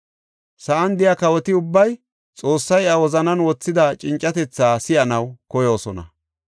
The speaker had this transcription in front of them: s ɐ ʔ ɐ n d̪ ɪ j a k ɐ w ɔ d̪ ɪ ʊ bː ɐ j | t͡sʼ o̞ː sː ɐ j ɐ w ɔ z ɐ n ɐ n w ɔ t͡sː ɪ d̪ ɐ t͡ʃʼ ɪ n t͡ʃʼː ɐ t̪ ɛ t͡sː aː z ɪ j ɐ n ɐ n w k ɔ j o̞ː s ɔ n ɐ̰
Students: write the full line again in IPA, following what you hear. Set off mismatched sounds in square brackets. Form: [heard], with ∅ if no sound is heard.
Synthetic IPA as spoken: s ɐ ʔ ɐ n d̪ ɪ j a k ɐ w ɔ [t̪] ɪ ʊ bː ɐ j | t͡sʼ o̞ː sː ɐ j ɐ w ɔ z ɐ n ɐ n w ɔ t͡sː ɪ d̪ ɐ t͡ʃʼ ɪ n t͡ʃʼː ɐ t̪ ɛ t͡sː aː [s] ɪ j ɐ n ɐ [∅] w k ɔ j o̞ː s ɔ n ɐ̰